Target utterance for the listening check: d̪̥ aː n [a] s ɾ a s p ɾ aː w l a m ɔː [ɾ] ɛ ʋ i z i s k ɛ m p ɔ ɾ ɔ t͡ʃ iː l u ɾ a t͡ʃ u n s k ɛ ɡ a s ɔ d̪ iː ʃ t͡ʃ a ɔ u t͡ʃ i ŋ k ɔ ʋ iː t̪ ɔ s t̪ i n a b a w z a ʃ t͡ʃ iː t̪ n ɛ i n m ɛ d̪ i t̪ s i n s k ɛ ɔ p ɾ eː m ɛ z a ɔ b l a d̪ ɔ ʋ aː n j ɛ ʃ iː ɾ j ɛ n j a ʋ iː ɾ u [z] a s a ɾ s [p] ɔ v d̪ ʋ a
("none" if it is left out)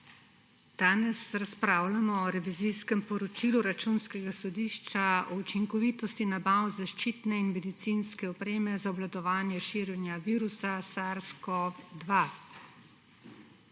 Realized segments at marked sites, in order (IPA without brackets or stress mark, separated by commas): ɛ, ɾ, s, k